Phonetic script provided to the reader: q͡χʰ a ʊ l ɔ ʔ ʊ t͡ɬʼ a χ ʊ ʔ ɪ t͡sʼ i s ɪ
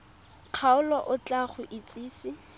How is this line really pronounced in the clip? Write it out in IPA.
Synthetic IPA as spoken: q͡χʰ a ʊ l ɔ ʔ ʊ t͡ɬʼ a χ ʊ ʔ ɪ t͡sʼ iː s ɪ